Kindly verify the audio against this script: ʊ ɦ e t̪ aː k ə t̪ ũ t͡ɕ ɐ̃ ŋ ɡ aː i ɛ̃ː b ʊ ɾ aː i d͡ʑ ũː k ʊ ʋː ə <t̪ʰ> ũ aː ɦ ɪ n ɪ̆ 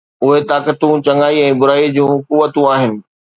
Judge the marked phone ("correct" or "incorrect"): incorrect